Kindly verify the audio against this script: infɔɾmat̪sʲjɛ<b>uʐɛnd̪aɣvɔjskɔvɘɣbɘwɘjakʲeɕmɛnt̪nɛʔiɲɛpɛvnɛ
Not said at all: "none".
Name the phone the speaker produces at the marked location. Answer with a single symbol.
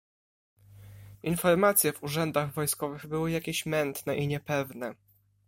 v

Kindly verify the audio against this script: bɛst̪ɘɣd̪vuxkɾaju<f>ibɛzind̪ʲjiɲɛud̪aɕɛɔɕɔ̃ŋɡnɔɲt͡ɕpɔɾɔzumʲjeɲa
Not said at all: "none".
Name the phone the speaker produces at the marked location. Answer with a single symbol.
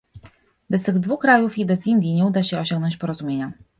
f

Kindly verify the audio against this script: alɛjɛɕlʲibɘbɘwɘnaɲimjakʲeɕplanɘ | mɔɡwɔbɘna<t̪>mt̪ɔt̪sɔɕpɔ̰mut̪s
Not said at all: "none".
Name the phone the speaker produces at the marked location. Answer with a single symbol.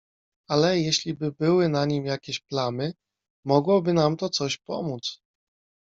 none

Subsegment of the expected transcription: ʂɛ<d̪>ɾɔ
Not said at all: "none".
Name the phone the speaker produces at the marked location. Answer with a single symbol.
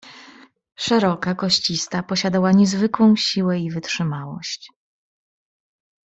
none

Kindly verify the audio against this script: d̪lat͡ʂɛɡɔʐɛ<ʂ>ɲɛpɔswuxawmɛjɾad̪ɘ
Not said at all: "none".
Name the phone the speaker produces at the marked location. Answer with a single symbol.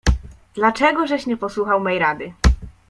ɕ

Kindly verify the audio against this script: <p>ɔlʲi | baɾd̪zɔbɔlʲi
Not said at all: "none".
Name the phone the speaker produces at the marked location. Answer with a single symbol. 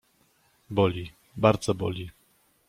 b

